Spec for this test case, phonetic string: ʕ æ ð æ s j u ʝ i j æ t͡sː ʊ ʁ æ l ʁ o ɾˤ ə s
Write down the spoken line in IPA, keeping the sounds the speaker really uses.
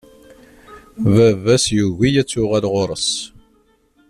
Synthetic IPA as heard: v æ v æ s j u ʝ i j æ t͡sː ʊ ʁ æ l ʁ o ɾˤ ə s